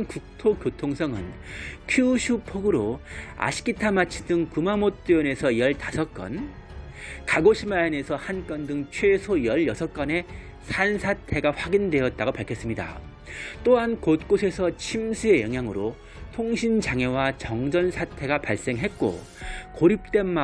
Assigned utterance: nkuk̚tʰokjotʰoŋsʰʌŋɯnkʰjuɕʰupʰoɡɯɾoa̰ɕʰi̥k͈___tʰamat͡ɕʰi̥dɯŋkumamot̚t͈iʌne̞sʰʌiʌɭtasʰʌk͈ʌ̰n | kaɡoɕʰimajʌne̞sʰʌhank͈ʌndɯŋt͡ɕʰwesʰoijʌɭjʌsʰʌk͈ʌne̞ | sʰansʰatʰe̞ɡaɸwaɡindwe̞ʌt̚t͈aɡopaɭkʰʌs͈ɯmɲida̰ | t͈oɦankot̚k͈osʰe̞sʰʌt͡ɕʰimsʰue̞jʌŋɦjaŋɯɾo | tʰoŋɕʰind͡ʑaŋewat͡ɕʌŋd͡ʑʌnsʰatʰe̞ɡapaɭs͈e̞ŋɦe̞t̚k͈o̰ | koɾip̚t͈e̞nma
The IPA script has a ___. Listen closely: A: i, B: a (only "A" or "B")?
A